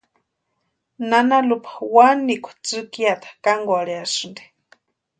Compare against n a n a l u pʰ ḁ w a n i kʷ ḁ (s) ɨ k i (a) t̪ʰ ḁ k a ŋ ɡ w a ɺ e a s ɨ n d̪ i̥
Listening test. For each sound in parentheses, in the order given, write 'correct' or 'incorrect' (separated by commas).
incorrect, correct